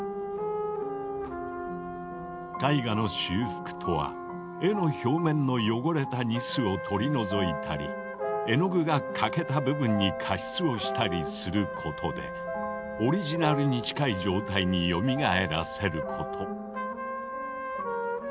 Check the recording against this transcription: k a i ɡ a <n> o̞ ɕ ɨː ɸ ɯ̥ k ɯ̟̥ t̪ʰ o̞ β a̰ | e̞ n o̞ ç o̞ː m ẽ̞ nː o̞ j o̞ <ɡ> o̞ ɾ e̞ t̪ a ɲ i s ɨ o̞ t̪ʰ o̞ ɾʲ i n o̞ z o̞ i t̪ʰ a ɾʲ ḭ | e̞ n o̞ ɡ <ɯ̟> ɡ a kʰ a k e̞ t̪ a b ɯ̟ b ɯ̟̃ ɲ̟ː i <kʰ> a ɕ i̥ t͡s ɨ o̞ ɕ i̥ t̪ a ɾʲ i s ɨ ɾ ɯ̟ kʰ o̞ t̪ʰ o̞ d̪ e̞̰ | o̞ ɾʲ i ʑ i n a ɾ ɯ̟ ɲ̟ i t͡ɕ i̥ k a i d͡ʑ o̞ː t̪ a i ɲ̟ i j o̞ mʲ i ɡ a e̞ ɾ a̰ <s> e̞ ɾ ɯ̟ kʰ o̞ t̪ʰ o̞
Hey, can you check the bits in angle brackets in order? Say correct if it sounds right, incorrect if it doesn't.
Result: correct, correct, correct, correct, correct

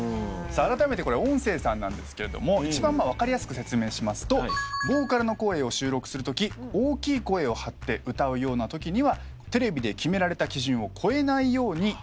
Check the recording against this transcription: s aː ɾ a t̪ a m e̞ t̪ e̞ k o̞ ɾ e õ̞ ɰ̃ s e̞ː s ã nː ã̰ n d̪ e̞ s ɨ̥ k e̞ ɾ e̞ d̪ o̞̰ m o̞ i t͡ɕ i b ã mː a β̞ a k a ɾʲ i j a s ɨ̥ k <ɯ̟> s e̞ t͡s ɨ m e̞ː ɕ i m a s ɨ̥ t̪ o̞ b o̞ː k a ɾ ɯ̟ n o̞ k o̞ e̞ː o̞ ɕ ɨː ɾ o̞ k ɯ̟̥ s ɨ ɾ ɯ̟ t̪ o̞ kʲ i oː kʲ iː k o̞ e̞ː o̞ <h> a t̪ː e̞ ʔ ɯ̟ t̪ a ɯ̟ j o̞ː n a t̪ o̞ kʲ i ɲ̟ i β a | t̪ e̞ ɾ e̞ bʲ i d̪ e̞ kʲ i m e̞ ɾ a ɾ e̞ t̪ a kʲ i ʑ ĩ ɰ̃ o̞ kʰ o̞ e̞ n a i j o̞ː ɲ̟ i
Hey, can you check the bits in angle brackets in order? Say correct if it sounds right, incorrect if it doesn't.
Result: correct, correct

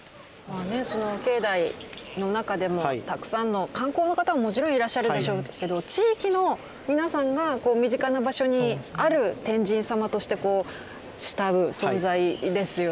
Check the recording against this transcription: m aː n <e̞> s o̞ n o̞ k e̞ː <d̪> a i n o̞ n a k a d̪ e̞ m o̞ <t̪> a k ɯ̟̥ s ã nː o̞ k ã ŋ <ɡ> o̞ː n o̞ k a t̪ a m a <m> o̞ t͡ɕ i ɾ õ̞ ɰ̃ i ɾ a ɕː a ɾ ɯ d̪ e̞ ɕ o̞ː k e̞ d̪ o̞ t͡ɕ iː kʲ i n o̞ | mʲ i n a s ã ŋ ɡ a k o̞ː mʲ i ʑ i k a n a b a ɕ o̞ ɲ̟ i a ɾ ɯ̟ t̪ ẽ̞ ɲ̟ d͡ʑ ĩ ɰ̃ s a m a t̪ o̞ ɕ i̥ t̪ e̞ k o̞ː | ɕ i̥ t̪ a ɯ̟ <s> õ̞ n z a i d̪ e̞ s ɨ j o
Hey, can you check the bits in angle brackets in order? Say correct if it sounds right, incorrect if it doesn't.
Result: correct, correct, correct, incorrect, correct, correct

